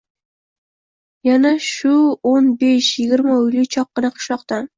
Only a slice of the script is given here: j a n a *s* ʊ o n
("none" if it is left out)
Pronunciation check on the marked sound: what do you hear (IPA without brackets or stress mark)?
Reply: ʃ